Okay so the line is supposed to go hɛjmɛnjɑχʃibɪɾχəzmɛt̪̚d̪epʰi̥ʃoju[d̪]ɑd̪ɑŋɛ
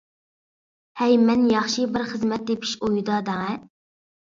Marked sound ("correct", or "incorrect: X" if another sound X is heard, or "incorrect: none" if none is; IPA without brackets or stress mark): correct